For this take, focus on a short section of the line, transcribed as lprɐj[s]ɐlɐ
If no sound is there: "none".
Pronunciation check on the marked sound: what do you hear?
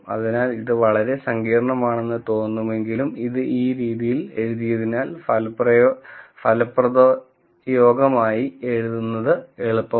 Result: f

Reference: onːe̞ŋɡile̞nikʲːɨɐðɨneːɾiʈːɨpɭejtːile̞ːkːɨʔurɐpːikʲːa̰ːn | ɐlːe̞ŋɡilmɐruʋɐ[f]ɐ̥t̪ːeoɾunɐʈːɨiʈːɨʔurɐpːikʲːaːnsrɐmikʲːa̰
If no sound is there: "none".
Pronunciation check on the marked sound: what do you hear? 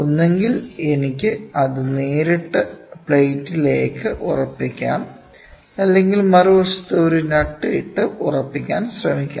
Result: ʂ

